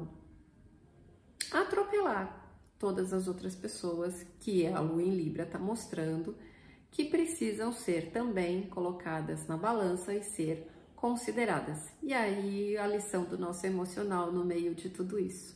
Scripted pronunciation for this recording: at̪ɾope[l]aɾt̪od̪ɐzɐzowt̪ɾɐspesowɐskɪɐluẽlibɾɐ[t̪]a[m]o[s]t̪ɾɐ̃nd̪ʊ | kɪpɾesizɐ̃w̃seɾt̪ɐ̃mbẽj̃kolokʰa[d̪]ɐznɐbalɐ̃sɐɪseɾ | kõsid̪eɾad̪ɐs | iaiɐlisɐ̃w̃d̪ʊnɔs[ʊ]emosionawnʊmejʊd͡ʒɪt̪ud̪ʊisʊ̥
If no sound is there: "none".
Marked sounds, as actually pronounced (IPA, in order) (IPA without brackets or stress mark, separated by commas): l, t̪, m, s, d̪, ʊ